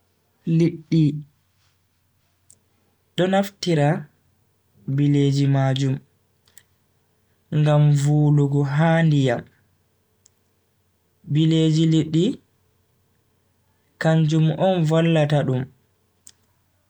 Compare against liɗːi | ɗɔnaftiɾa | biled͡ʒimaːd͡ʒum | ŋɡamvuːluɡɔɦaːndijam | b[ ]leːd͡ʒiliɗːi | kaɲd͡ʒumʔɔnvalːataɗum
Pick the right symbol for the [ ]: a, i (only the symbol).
i